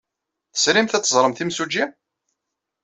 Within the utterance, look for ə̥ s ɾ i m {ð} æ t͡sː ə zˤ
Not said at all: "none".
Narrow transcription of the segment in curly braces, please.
θ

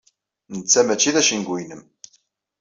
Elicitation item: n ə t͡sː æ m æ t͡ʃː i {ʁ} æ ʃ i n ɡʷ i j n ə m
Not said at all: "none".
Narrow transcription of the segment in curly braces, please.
ð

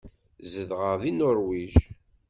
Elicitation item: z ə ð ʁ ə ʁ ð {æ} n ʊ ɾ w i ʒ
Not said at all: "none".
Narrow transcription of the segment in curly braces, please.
i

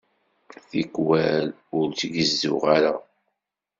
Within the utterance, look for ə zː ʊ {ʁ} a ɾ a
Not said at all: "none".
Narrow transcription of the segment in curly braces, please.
ʁ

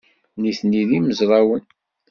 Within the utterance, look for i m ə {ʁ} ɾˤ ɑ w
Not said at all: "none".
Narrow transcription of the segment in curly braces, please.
z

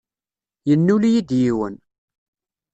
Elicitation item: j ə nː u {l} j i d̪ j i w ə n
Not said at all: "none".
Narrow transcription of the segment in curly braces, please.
l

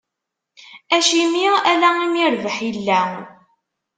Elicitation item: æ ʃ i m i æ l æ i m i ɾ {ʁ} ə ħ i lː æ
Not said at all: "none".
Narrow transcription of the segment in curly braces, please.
v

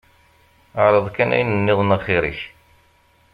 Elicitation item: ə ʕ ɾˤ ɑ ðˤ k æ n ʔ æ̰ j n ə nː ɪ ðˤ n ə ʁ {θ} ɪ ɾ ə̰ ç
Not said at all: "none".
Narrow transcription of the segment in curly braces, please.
χ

